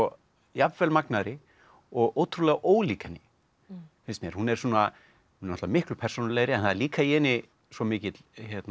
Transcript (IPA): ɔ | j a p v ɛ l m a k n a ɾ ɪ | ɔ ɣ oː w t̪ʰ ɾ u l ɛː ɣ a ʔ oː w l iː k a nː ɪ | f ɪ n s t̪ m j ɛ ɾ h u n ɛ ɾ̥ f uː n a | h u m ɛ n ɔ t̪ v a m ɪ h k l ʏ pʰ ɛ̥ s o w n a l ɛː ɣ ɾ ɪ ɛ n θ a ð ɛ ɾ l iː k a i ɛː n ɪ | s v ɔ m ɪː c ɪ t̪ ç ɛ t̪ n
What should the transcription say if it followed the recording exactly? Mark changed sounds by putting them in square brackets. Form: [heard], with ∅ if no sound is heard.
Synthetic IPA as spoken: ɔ | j a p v ɛ l m a k n a ɾ ɪ | ɔ ɣ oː w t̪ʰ ɾ u l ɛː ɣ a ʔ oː w l iː k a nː ɪ | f ɪ n s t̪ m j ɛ ɾ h u n ɛ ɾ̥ [s] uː n a | h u [n] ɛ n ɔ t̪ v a m ɪ h k l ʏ pʰ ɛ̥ s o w n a l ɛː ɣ ɾ ɪ ɛ n θ a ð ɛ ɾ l iː k a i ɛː n ɪ | s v ɔ m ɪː c ɪ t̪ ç ɛ t̪ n